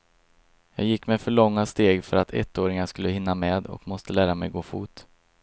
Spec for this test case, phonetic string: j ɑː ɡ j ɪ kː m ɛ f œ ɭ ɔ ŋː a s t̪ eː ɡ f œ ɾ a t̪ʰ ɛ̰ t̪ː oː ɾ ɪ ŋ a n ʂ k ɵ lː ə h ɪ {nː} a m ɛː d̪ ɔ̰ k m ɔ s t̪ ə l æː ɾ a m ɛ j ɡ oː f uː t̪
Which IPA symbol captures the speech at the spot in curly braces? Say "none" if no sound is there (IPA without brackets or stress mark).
nː